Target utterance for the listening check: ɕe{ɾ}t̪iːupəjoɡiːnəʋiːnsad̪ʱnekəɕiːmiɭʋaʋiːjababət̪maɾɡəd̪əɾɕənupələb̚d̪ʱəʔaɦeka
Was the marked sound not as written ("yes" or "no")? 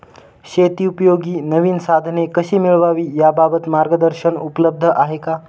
yes